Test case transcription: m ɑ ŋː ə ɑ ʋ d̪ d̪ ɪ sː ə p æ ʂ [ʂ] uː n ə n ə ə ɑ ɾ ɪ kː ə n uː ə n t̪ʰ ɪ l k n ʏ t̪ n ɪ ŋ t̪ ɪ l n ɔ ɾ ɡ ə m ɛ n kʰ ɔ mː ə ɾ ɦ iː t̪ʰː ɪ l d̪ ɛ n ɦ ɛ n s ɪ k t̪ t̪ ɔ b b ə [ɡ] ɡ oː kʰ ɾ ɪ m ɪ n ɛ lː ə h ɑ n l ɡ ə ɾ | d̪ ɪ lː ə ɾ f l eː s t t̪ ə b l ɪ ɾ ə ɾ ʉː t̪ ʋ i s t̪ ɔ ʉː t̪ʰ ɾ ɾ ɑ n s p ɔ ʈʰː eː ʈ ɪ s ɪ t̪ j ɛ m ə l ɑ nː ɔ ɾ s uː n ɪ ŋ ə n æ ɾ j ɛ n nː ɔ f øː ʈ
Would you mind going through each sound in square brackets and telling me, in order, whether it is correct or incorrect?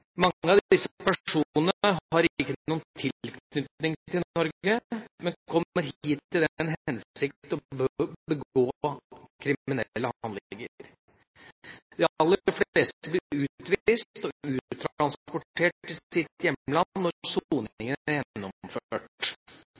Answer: correct, correct

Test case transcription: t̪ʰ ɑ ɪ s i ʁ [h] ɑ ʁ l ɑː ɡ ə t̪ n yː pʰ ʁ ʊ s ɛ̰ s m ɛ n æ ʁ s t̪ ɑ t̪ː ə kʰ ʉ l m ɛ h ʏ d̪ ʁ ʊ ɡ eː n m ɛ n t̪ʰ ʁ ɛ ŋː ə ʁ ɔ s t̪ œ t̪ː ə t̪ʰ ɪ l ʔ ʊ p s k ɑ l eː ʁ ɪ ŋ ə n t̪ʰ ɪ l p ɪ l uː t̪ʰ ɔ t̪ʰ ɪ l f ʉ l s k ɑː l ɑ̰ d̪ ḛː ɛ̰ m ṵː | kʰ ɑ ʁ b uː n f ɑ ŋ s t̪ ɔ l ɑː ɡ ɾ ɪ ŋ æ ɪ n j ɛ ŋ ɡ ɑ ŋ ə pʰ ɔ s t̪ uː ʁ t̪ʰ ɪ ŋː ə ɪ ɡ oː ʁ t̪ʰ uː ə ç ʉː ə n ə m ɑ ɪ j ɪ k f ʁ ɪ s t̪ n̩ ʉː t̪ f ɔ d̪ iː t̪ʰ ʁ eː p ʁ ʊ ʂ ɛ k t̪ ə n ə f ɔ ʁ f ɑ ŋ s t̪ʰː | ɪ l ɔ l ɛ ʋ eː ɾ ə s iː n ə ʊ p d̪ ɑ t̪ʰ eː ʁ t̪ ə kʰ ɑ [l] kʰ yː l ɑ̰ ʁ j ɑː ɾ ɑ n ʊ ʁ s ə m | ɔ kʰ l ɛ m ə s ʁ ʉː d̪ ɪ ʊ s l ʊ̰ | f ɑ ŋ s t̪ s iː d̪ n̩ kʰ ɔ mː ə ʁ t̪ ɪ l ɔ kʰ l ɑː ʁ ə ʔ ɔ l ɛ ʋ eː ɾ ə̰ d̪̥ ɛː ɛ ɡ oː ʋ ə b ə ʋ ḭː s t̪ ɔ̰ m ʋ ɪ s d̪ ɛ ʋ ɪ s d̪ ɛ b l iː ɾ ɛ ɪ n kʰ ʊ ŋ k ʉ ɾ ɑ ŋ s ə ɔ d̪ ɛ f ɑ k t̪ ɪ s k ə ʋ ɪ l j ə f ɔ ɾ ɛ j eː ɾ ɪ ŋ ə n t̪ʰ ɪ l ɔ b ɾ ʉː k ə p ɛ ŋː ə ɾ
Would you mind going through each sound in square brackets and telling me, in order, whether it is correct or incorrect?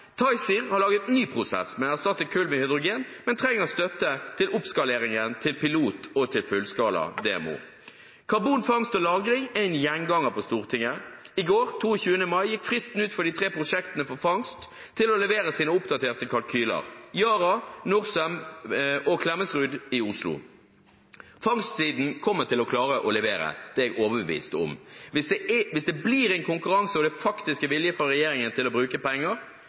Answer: correct, correct

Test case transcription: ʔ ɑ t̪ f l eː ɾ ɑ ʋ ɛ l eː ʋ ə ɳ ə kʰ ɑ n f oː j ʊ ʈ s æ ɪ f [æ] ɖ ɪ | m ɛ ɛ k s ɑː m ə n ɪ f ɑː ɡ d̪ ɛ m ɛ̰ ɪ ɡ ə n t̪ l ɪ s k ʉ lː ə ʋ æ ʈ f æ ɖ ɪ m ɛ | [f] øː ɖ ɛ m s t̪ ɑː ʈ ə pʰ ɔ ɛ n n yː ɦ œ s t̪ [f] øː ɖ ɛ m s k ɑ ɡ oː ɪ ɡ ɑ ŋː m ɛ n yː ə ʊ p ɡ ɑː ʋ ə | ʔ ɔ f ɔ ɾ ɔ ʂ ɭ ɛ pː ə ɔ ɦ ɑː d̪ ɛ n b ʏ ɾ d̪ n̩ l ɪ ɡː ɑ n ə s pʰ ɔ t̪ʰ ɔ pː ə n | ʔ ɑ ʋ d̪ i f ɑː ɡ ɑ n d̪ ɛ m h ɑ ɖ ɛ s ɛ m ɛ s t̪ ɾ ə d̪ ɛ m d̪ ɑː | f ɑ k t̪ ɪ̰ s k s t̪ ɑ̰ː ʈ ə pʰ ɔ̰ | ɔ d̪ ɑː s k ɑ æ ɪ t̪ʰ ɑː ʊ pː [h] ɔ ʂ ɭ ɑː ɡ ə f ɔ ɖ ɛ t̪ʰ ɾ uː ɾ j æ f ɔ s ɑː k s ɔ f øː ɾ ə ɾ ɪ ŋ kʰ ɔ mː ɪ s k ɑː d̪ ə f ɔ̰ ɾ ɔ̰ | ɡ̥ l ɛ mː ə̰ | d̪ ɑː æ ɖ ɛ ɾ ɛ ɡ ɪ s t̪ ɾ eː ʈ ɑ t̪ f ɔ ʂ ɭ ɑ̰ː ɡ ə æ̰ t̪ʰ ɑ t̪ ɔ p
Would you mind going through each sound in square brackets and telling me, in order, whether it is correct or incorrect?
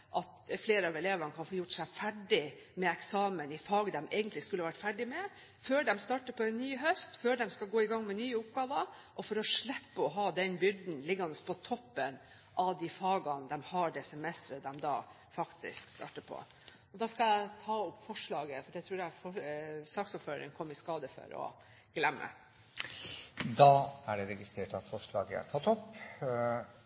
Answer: correct, correct, correct, incorrect: f

